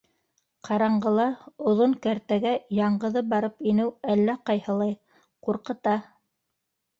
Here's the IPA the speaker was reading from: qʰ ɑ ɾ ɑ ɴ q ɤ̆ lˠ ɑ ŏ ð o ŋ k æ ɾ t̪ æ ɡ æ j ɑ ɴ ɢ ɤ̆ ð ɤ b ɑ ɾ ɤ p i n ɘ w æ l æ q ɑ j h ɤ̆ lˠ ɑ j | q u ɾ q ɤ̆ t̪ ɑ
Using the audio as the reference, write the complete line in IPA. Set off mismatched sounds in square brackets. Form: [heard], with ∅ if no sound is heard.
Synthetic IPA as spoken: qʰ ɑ ɾ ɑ ɴ [ɢ] ɤ̆ lˠ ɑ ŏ ð o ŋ k æ ɾ t̪ æ ɡ æ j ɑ ɴ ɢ ɤ̆ ð ɤ b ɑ ɾ ɤ p i n ɘ w æ [lː] æ q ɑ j h ɤ̆ lˠ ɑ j | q u ɾ q ɤ̆ t̪ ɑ